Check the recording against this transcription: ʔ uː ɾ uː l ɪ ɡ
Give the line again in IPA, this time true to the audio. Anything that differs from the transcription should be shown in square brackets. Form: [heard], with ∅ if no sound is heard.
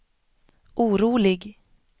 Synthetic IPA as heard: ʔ uː ɾ uː l ɪ ɡ